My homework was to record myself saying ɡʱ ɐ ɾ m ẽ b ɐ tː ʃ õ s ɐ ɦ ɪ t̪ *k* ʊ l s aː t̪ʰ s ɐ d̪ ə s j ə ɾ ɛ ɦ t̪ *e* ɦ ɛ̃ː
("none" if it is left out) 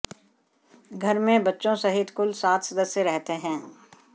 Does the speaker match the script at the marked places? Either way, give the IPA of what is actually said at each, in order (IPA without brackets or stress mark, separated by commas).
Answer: k, e